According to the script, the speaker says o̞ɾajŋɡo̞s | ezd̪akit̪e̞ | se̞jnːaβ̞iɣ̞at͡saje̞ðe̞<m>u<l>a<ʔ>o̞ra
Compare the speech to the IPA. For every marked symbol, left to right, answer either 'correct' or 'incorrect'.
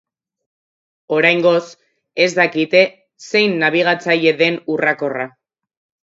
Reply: incorrect: n, incorrect: r, incorrect: k

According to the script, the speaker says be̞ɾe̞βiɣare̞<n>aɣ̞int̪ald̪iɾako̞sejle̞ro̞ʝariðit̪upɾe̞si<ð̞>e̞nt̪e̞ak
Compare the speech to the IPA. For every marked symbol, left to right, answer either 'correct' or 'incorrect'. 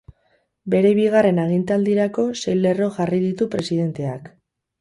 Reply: correct, correct

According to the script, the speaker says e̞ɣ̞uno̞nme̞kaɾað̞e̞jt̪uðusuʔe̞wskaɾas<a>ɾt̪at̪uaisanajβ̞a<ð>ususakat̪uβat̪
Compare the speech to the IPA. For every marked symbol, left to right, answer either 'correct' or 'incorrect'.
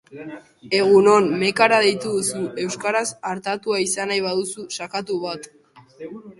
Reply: correct, correct

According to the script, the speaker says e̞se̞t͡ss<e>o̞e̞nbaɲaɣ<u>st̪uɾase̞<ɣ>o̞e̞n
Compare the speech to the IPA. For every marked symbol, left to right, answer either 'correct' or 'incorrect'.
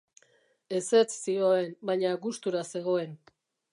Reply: incorrect: i, correct, correct

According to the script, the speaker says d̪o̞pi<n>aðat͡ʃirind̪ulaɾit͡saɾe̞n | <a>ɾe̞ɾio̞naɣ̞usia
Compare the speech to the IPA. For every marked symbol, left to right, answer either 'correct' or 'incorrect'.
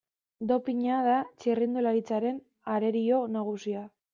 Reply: incorrect: ɲ, correct

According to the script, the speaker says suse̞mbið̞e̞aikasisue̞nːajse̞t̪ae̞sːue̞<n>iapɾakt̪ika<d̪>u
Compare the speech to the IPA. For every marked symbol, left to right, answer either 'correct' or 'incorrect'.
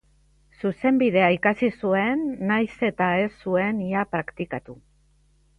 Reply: correct, incorrect: t̪

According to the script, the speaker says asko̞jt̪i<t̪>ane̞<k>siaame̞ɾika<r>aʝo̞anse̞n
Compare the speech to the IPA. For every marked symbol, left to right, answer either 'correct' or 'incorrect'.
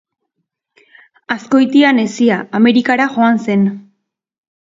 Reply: incorrect: none, incorrect: none, incorrect: ɾ

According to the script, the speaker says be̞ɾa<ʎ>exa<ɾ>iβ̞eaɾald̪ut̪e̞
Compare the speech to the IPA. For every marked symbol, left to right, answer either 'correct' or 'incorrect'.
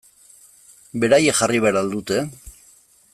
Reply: incorrect: j, incorrect: r

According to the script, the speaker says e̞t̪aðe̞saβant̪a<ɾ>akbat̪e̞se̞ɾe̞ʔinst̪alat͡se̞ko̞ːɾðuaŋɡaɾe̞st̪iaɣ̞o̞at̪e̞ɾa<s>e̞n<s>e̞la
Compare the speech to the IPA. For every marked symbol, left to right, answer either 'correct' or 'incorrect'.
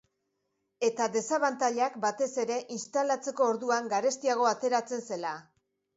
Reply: incorrect: ʎ, incorrect: t͡s, correct

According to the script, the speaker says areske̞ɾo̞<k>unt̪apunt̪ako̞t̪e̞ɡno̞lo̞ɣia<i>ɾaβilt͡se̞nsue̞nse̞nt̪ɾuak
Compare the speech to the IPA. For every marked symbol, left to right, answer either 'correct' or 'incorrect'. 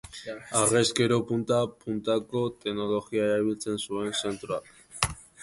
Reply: incorrect: p, incorrect: e

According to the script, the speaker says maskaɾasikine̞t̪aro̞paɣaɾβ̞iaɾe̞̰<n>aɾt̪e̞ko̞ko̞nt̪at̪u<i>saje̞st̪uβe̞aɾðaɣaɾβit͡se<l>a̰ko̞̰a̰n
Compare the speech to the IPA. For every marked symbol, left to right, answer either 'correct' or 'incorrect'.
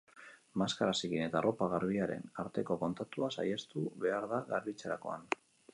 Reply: correct, incorrect: a, incorrect: ɾ

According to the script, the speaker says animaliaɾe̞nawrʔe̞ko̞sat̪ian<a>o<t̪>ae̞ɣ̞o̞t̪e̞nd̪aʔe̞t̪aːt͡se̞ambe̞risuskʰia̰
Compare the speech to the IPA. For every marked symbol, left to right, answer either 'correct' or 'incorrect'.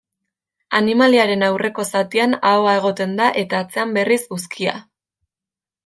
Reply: correct, incorrect: none

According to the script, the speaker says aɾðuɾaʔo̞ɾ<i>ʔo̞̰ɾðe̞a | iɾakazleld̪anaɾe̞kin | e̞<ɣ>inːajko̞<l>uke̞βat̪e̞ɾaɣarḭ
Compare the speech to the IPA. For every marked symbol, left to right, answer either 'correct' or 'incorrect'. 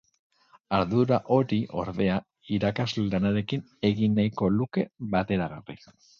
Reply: correct, correct, correct

